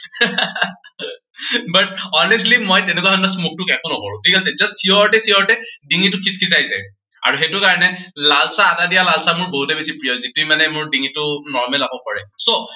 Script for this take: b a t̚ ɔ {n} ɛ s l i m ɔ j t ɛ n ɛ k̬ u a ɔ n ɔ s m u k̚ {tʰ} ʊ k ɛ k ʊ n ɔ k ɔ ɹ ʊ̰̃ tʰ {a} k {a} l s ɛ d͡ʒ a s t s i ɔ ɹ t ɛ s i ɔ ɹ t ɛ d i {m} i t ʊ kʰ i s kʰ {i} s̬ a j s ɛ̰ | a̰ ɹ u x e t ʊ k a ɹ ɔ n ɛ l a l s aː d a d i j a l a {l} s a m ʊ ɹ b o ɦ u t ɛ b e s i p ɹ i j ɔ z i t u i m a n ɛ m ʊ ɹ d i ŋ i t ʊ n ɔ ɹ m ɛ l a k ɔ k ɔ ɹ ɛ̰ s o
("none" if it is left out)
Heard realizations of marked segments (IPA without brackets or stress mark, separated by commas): n, t, i, a, ŋ, i, l